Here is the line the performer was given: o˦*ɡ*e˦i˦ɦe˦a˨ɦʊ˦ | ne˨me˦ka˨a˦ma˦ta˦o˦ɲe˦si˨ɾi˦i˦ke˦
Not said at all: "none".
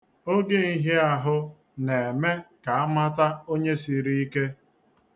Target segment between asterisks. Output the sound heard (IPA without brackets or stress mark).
ɡ